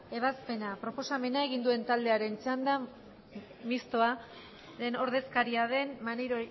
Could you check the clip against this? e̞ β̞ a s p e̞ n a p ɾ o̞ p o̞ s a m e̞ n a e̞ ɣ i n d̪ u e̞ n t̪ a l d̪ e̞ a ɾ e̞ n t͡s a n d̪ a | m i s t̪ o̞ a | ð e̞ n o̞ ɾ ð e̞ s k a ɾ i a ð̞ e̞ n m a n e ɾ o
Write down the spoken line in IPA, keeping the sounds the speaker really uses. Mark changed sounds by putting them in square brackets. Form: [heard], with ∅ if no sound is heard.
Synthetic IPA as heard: e̞ β̞ a s p e̞ n a p ɾ o̞ p o̞ s a m e̞ n a e̞ ɣ i n d̪ u e̞ n t̪ a l d̪ e̞ a ɾ e̞ n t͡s a n d̪ a | m i s t̪ o̞ a | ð e̞ n o̞ ɾ ð e̞ s k a ɾ i a ð̞ e̞ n m a n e ɾ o